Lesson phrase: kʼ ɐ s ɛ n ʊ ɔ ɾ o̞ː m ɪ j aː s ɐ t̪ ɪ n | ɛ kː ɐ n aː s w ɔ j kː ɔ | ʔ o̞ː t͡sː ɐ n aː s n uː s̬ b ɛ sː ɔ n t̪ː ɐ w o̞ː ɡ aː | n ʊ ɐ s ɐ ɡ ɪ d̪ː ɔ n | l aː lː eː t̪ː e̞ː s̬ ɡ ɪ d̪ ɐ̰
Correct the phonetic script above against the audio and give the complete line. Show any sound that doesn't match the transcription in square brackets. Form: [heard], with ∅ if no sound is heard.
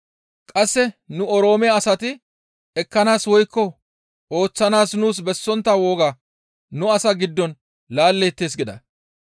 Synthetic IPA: kʼ ɐ [sː] ɛ n ʊ ɔ ɾ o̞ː m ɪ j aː s ɐ t̪ ɪ [∅] | ɛ kː ɐ n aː s w ɔ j kː ɔ | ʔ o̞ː t͡sː ɐ n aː s n uː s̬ b ɛ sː ɔ n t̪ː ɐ w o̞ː ɡ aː | n ʊ ɐ s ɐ ɡ ɪ d̪ː ɔ n | l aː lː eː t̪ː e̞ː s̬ ɡ ɪ d̪ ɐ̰

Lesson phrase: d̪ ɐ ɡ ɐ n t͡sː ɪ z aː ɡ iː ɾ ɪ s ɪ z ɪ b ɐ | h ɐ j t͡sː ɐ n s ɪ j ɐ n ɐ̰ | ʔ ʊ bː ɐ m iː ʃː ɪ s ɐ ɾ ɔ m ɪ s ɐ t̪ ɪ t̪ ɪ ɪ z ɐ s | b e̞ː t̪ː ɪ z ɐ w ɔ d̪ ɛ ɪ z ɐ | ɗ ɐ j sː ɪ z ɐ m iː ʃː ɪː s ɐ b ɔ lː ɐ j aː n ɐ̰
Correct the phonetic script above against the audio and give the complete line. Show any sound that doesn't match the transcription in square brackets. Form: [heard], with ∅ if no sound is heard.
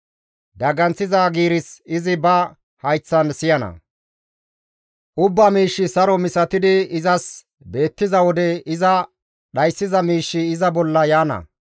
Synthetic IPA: d̪ ɐ ɡ ɐ n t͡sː ɪ z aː ɡ iː ɾ ɪ s ɪ z ɪ b ɐ | h ɐ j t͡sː ɐ n s ɪ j ɐ n ɐ̰ | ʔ ʊ bː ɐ m iː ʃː ɪ s ɐ ɾ ɔ m ɪ s ɐ t̪ ɪ [d̪] ɪ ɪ z ɐ s | b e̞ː t̪ː ɪ z ɐ w ɔ d̪ ɛ ɪ z ɐ | ɗ ɐ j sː ɪ z ɐ m iː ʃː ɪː [z] ɐ b ɔ lː ɐ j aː n ɐ̰

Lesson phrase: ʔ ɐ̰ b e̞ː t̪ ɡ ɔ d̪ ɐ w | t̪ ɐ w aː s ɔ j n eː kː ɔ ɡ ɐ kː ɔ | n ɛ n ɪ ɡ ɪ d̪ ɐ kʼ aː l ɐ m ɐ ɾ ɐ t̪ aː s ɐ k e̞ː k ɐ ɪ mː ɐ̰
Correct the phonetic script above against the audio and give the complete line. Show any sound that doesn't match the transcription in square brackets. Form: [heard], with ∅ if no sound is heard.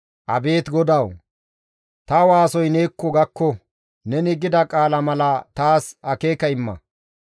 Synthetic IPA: ʔ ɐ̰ b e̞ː t̪ ɡ ɔ d̪ ɐ w | t̪ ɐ w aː s ɔ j n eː kː ɔ ɡ ɐ kː ɔ | n ɛ n ɪ ɡ ɪ d̪ ɐ kʼ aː l ɐ m ɐ [l] ɐ t̪ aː s ɐ k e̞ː k ɐ ɪ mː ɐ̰

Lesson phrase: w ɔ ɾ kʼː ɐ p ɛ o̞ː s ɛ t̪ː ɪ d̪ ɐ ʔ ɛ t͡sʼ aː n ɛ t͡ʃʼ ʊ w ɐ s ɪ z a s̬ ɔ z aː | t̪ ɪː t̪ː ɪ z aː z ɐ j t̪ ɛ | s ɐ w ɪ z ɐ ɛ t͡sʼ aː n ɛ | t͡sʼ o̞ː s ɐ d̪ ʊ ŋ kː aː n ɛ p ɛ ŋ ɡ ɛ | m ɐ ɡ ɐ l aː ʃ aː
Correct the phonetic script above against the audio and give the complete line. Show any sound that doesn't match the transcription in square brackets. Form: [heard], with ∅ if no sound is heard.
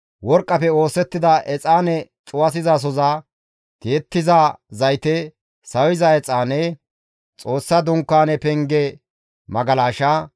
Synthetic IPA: w ɔ ɾ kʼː ɐ p ɛ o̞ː s ɛ t̪ː ɪ d̪ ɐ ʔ ɛ t͡sʼ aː n ɛ t͡ʃʼ ʊ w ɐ s ɪ z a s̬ ɔ z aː | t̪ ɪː t̪ː ɪ z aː z ɐ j t̪ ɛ | s ɐ w ɪ z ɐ ɛ t͡sʼ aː n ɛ | t͡sʼ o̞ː [sː] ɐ d̪ ʊ ŋ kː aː n ɛ p ɛ ŋ ɡ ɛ | m ɐ ɡ ɐ l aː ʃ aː

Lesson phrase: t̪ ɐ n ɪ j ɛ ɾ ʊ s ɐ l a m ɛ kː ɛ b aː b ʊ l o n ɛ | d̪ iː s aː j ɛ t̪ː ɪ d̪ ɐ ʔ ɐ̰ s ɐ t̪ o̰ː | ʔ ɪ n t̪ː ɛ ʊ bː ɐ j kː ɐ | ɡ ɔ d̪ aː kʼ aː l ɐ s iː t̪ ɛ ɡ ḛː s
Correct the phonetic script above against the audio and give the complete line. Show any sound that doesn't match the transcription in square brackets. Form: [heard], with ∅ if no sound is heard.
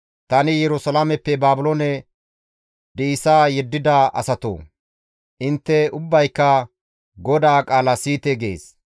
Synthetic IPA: t̪ ɐ n ɪ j ɛ ɾ ʊ s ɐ l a m ɛ [pː] ɛ b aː b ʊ l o n ɛ | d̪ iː s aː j ɛ [d̪ː] ɪ d̪ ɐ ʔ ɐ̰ s ɐ t̪ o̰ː | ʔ ɪ n t̪ː ɛ ʊ bː ɐ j kː ɐ | ɡ ɔ d̪ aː kʼ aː l ɐ s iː t̪ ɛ ɡ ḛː s

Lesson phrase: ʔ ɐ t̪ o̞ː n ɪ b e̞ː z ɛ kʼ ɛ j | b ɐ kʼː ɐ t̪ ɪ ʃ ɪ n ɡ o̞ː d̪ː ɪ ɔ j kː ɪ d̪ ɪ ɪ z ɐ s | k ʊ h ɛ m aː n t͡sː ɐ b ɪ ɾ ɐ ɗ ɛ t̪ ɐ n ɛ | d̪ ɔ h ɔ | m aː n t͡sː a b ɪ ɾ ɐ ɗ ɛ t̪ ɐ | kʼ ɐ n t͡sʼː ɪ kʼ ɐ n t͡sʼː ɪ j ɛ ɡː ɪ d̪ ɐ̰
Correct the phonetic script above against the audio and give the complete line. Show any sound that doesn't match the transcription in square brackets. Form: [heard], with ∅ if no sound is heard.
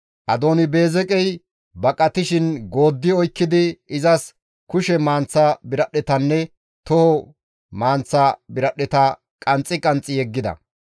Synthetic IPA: ʔ ɐ [d̪] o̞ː n ɪ b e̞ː z ɛ kʼ ɛ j | b ɐ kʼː ɐ t̪ ɪ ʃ ɪ n ɡ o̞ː d̪ː ɪ ɔ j kː ɪ d̪ ɪ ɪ z ɐ s | k ʊ [ʃ] ɛ m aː n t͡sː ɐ b ɪ ɾ ɐ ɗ ɛ t̪ ɐ [nː] ɛ | [t̪] ɔ h ɔ | m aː n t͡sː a b ɪ ɾ ɐ ɗ ɛ t̪ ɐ | kʼ ɐ n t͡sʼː ɪ kʼ ɐ n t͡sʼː ɪ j ɛ ɡː ɪ d̪ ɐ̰

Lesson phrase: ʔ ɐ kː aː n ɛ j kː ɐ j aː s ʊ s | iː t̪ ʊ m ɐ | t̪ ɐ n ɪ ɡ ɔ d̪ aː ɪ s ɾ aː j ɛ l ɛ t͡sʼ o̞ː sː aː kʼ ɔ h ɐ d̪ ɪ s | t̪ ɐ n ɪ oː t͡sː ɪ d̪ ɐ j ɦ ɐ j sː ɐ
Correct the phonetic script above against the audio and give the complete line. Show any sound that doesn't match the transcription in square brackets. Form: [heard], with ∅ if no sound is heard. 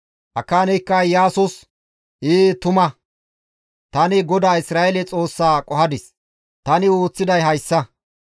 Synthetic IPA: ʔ ɐ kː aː n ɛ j kː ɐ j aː s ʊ s | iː t̪ ʊ m ɐ | t̪ ɐ n ɪ ɡ ɔ d̪ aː ɪ s ɾ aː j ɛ l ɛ t͡sʼ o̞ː sː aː kʼ ɔ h ɐ d̪ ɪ s | t̪ ɐ n ɪ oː t͡sː ɪ d̪ ɐ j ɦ ɐ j sː ɐ

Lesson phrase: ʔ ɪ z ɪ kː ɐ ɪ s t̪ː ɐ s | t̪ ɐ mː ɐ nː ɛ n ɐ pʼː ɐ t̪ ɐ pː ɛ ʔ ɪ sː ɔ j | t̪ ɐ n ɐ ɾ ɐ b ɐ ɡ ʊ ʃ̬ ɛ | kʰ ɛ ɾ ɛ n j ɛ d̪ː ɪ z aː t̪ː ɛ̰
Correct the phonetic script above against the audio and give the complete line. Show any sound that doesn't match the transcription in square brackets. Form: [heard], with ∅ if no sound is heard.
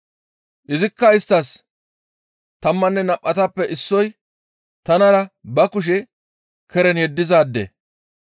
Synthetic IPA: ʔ ɪ z ɪ kː ɐ ɪ s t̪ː ɐ s | t̪ ɐ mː ɐ nː ɛ n ɐ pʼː ɐ t̪ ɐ pː ɛ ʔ ɪ sː ɔ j | t̪ ɐ n ɐ ɾ ɐ b ɐ [k] ʊ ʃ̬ ɛ | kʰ ɛ ɾ ɛ n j ɛ d̪ː ɪ z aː [d̪ː] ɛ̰

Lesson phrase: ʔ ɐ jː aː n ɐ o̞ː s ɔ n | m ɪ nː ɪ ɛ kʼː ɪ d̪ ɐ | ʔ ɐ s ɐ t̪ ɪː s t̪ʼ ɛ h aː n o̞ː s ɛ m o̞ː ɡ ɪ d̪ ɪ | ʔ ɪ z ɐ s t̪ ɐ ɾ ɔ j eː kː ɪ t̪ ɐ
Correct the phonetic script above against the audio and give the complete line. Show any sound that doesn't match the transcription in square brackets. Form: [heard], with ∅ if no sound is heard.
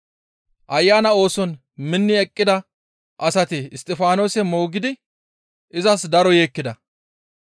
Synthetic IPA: ʔ ɐ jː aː n ɐ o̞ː s ɔ n | m ɪ nː ɪ ɛ kʼː ɪ d̪ ɐ | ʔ ɐ s ɐ t̪ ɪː s t̪ʼ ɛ [f] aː n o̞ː s ɛ m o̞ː ɡ ɪ d̪ ɪ | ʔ ɪ z ɐ s [d̪] ɐ ɾ ɔ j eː kː ɪ [d̪] ɐ

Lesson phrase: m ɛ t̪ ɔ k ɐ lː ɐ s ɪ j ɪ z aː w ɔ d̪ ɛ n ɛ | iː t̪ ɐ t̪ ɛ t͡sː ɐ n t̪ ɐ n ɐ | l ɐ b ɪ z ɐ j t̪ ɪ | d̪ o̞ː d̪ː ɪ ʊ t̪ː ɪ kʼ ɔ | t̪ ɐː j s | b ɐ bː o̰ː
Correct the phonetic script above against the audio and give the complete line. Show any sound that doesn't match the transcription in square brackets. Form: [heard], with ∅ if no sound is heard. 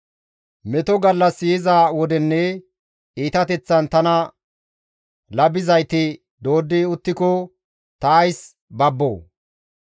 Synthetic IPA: m ɛ t̪ ɔ [ɡ] ɐ lː ɐ s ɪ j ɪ z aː w ɔ d̪ ɛ [nː] ɛ | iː t̪ ɐ t̪ ɛ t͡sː ɐ n t̪ ɐ n ɐ | l ɐ b ɪ z ɐ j t̪ ɪ | d̪ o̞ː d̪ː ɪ ʊ t̪ː ɪ [k] ɔ | t̪ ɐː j s | b ɐ bː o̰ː

